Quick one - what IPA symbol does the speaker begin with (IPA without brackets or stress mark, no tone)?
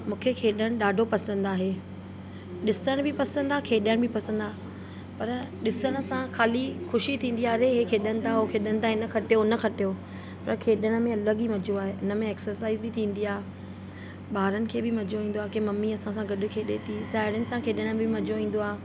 m